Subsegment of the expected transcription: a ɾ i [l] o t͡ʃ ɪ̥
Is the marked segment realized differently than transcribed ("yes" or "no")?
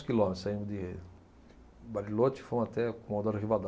no